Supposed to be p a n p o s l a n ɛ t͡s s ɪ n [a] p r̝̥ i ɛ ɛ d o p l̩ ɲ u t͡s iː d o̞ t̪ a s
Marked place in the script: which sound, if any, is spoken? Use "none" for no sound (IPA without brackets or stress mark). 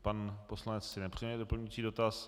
ɛ